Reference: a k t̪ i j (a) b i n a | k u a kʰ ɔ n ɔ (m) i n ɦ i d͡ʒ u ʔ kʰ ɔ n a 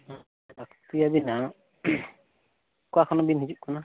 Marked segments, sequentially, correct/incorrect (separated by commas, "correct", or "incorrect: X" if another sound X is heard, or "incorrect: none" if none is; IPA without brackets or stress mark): correct, incorrect: b